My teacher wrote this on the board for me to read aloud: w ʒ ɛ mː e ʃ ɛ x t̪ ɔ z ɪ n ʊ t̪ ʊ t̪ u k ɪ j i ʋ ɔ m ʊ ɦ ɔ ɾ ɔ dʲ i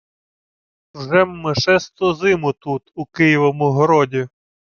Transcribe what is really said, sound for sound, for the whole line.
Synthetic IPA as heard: w ʒ ɛ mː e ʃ ɛ s t̪ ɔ z ɪ m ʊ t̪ u t̪ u k ɪ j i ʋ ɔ m ʊ ɦ ɔ ɾ ɔ dʲ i

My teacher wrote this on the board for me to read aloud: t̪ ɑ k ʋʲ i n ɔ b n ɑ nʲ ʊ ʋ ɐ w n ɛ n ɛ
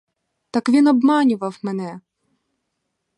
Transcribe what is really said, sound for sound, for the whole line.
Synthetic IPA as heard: t̪ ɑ k ʋʲ i n ɔ b m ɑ nʲ ʊ ʋ ɐ w m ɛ n ɛ

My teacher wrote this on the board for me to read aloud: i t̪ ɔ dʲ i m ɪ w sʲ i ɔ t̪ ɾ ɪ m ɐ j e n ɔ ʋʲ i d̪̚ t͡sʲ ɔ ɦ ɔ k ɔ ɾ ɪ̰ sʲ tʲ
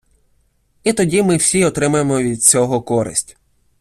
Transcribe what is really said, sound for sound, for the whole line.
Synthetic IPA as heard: i t̪ ɔ dʲ i m ɪ w sʲ i ɔ t̪ ɾ ɪ m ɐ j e m ɔ ʋʲ i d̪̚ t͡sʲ ɔ ɦ ɔ k ɔ ɾ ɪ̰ sʲ tʲ

